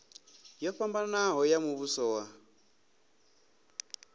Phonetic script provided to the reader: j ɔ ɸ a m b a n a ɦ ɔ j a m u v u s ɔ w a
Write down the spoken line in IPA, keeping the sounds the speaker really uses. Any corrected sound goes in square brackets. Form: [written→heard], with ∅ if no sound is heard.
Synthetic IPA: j ɔ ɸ a m b a n a ɦ ɔ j a m u [v→β] u s ɔ w a